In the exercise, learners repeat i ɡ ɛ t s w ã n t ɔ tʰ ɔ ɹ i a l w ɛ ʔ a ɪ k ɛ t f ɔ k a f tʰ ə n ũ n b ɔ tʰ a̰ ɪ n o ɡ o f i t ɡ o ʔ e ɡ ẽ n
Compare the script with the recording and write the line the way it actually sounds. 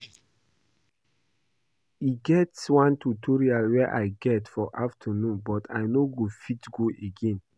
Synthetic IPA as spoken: i ɡ ɛ t s w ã n t u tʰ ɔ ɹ i a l w ɛ ʔ a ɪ ɡ ɛ t f ɔ ʔ a f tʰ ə n ũ n b ɔ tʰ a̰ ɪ n o ɡ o f i t ɡ o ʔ e ɡ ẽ n